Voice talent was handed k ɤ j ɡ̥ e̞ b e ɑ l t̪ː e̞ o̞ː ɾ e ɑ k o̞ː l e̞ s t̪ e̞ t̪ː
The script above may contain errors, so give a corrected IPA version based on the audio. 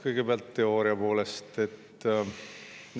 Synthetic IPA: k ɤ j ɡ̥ e̞ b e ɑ l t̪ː e̞ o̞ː ɾ i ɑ p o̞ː l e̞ s t̪ e̞ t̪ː